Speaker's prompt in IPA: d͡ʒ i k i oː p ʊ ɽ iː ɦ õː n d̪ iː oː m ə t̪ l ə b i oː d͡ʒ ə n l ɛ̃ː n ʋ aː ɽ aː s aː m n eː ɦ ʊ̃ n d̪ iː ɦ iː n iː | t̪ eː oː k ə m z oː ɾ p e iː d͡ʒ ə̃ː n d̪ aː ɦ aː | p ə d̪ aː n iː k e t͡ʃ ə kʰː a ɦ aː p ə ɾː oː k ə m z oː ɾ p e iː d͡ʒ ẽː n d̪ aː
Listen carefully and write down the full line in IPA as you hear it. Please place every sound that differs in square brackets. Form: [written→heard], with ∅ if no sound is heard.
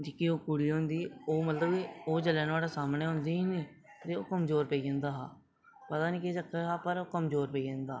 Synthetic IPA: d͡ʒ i k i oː [p→k] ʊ ɽ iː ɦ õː n d̪ iː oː m ə t̪ l ə b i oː d͡ʒ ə [n→∅] l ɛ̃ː n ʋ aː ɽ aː s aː m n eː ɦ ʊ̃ n d̪ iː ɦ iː n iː | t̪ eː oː k ə m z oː ɾ p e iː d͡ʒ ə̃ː n d̪ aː ɦ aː | p ə [d̪→t̪] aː n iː k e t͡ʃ ə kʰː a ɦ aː p ə [ɾː→ɾ] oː k ə m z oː ɾ p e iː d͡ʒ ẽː n d̪ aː

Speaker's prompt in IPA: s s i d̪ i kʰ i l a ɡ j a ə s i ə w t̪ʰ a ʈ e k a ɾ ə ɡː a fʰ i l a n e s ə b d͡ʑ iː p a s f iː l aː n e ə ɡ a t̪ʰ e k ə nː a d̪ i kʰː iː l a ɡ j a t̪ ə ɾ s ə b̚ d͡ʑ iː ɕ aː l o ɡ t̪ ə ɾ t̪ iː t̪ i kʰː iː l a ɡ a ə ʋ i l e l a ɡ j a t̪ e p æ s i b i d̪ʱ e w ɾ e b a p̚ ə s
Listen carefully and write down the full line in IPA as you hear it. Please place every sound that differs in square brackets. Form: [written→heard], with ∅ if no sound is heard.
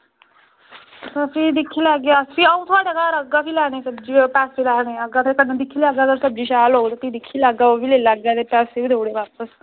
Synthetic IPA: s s i d̪ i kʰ i l a ɡ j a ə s i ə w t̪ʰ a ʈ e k a ɾ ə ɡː a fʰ i l a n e s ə b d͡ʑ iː p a s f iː l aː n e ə ɡ a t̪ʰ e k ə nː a d̪ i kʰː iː l a ɡ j a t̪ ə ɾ s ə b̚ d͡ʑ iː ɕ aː l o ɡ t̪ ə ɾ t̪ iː [t̪→d̪] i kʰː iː l a ɡ a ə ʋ i l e l a ɡ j a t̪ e p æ s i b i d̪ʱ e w [ɾ→ɽ] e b a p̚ ə s

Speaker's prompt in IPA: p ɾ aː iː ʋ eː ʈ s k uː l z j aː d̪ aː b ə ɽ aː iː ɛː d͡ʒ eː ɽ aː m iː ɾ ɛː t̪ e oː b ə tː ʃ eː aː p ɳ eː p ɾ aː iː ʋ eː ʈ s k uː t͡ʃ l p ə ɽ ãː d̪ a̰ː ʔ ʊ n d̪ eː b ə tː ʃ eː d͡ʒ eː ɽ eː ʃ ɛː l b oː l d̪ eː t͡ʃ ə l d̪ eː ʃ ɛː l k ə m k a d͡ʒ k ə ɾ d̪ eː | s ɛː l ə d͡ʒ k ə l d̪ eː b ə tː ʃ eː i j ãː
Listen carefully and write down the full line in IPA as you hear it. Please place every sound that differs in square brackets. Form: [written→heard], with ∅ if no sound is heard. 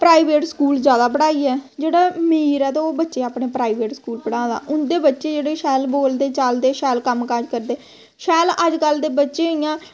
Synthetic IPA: p ɾ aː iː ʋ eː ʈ s k uː l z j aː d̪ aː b ə ɽ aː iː ɛː d͡ʒ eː ɽ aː m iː ɾ ɛː t̪ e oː b ə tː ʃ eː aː p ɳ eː p ɾ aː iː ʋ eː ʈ s k uː [t͡ʃ→∅] l p ə ɽ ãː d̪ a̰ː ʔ ʊ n d̪ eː b ə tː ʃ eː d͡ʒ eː ɽ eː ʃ ɛː l b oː l d̪ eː t͡ʃ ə l d̪ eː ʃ ɛː l k ə m k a d͡ʒ k ə ɾ d̪ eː | [s→ʃ] ɛː l ə d͡ʒ k ə l d̪ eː b ə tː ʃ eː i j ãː

